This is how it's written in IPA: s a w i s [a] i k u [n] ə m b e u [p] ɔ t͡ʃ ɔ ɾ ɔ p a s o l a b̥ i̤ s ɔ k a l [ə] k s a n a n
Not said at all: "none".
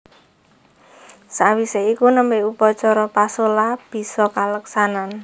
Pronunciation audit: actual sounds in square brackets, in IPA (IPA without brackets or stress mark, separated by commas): e, n, p, ə